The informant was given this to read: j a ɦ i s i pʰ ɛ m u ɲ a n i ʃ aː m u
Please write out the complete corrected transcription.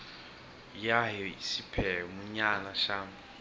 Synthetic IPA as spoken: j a ɦ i s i pʰ ɛ m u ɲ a n a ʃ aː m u